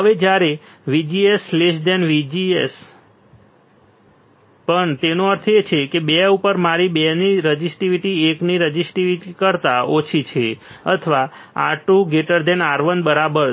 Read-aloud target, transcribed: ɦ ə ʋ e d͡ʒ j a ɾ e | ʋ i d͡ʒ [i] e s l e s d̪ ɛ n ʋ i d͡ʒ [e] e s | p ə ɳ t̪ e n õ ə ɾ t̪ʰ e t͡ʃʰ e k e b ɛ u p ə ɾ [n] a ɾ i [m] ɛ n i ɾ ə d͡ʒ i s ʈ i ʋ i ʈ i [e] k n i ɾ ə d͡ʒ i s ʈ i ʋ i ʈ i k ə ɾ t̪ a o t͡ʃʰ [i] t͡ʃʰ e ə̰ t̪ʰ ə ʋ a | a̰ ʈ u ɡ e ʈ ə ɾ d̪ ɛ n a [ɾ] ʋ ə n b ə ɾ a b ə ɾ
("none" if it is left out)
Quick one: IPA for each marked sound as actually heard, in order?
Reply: i, i, m, b, e, i, ɾ

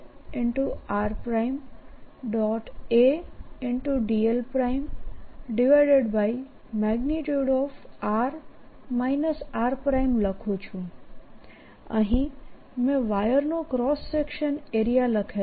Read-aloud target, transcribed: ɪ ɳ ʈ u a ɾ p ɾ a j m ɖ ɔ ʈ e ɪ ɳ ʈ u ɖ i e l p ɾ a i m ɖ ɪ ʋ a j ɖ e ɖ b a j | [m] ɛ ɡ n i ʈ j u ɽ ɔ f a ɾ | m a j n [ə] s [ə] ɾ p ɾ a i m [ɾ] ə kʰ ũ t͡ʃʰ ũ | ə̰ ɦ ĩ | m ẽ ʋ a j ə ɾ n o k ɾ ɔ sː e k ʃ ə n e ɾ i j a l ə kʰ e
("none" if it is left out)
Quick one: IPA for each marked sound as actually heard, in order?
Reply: m, ə, a, l

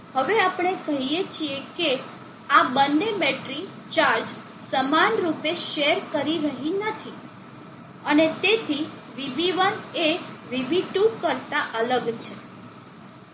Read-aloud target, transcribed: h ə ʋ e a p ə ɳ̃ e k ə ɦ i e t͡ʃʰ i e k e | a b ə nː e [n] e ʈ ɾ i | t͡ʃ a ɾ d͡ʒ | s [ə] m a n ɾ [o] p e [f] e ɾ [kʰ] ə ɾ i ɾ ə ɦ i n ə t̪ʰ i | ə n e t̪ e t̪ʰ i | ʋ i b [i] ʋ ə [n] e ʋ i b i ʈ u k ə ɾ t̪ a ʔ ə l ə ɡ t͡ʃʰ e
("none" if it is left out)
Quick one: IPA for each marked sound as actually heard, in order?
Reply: m, ə, u, ʃ, k, i, n

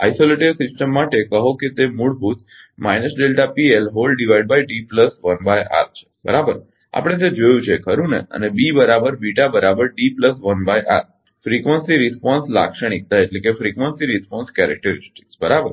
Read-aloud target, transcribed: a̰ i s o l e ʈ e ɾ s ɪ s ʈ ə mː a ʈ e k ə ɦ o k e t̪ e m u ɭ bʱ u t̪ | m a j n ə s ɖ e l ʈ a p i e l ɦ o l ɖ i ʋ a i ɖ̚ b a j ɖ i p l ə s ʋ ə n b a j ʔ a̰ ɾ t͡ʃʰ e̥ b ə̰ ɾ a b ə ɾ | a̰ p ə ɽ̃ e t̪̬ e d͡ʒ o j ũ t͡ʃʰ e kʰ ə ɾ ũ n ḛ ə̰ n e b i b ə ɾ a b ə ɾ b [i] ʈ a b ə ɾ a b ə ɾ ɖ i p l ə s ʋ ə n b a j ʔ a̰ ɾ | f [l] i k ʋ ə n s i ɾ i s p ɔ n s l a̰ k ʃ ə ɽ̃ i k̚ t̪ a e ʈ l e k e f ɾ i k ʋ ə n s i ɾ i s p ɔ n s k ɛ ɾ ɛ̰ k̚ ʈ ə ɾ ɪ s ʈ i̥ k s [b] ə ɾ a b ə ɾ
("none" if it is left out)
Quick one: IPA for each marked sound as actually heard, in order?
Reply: i, ɾ, b

